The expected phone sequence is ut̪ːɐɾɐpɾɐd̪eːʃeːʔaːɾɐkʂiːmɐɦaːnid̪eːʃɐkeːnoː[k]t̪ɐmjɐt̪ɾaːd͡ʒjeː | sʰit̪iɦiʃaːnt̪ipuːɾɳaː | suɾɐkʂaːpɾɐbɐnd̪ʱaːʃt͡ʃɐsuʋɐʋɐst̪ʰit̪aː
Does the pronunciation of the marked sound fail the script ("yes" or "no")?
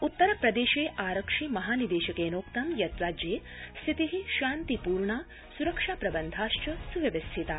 no